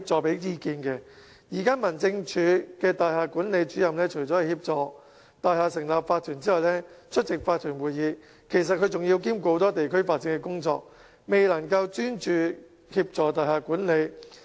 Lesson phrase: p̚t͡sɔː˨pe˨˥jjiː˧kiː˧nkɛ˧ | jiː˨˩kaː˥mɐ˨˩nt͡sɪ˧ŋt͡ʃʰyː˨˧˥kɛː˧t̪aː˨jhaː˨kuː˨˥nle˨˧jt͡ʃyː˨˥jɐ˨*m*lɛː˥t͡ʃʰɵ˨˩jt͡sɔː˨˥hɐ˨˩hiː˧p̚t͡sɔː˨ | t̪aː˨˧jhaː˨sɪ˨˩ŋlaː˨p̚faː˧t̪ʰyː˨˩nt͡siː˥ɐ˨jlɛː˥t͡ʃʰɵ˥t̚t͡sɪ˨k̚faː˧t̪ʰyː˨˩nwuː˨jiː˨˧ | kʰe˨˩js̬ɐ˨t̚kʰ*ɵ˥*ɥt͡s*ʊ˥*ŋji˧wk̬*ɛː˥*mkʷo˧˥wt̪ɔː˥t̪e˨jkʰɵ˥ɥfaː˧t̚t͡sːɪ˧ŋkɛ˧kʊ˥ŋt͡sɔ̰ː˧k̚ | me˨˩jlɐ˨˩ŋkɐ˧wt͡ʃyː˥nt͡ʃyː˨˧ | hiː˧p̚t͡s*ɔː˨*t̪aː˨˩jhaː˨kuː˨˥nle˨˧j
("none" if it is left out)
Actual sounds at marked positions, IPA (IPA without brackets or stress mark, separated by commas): m, ɵ˨˧, ʊ˨, iː˥, ɔː˨